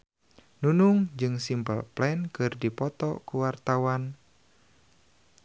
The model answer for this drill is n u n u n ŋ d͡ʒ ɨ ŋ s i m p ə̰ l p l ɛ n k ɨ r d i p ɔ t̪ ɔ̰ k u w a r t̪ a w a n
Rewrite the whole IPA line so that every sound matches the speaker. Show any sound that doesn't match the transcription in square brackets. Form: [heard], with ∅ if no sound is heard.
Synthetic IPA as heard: n u n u [∅] ŋ d͡ʒ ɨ ŋ s i m p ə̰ l p l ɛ n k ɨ r d i p ɔ t̪ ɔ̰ k u w a r t̪ a w a n